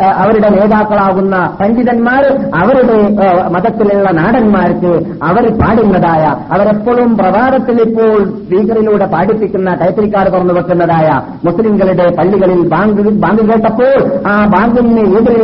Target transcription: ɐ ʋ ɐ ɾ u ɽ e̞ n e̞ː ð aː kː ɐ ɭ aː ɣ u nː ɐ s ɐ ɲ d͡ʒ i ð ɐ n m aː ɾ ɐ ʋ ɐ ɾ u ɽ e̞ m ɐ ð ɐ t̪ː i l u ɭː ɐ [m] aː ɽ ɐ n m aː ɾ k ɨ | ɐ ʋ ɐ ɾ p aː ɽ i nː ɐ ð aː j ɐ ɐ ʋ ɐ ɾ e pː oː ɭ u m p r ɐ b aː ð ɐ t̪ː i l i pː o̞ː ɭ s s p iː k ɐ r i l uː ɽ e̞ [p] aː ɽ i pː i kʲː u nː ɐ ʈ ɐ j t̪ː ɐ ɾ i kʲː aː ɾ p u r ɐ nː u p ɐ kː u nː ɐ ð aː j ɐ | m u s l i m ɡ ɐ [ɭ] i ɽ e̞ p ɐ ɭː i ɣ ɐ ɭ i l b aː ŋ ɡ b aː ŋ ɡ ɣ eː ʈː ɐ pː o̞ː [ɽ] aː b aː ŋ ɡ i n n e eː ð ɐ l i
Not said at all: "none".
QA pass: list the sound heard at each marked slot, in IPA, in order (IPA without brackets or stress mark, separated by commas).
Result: n, p, ɭ, ɭ